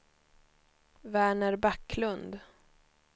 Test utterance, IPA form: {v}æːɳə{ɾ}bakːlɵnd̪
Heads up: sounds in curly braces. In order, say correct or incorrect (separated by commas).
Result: correct, correct